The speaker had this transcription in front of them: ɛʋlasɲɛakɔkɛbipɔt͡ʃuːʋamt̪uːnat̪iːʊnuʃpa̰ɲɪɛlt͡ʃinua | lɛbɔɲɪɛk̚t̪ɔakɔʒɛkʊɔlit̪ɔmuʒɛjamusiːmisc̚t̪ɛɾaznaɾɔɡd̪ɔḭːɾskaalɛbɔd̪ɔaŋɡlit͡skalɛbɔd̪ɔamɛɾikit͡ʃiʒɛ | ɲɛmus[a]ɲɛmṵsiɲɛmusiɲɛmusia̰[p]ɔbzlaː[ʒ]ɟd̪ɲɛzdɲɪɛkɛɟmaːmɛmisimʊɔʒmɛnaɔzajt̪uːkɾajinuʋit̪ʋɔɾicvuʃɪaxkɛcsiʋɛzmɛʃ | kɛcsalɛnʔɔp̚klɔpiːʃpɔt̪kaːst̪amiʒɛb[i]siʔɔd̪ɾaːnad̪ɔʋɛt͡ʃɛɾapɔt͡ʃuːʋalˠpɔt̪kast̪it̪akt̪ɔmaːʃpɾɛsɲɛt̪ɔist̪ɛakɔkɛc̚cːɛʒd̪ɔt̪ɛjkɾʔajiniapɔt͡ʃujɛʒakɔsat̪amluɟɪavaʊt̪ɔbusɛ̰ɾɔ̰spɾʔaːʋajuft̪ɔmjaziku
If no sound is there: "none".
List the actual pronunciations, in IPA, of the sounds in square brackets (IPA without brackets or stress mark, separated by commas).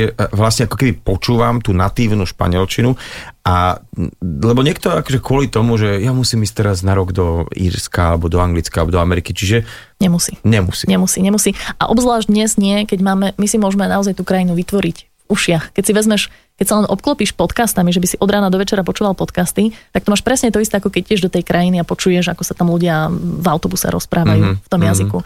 i, ʔ, ʒ, i